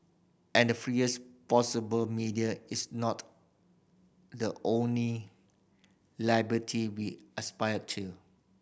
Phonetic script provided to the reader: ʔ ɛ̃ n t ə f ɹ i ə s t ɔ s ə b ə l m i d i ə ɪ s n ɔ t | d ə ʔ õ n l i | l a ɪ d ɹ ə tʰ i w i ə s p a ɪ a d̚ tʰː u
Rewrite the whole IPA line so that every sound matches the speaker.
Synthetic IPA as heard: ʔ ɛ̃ n d ə f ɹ i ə s p ɔ s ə b ə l m i d i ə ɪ s n ɔ t | d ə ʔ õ n l i | l a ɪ b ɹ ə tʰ i w i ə s p a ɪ ə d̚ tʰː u